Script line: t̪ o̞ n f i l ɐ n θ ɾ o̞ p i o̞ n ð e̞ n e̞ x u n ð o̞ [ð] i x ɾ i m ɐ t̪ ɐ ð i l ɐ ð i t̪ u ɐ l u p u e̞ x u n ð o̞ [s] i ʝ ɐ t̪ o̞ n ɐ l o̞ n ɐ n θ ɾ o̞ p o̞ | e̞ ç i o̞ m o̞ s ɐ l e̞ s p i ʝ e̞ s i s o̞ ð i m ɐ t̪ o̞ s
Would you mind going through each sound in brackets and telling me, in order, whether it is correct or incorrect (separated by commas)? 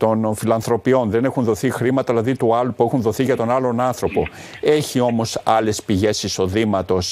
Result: incorrect, incorrect